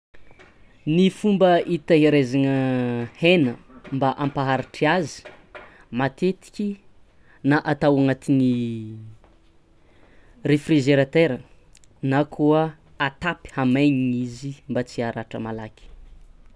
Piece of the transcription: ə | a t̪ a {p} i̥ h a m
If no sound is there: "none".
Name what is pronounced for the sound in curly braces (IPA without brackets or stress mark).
p